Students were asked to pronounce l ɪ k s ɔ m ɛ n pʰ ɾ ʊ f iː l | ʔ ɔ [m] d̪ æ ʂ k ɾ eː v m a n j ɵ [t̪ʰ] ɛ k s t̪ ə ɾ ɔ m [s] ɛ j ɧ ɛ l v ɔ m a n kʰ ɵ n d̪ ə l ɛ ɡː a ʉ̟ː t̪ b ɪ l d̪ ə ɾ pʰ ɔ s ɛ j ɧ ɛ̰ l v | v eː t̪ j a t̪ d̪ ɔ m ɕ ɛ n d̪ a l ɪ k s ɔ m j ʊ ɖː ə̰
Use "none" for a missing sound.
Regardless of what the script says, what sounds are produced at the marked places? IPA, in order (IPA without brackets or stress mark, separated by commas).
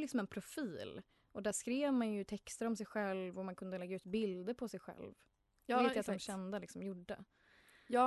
none, t̪ʰ, s